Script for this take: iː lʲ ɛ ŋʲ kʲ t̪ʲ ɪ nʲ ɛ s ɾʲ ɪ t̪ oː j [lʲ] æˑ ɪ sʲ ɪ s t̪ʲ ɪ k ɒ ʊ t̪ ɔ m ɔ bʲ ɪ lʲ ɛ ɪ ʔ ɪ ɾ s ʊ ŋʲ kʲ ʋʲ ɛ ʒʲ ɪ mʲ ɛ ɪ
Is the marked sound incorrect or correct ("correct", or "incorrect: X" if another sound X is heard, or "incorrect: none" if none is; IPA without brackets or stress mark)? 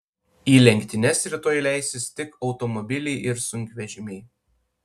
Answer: correct